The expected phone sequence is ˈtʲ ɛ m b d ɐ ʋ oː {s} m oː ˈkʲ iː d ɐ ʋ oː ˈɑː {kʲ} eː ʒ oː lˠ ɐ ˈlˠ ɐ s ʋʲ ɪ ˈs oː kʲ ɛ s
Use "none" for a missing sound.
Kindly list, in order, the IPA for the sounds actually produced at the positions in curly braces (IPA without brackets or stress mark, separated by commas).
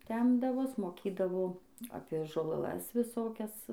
s, pʲ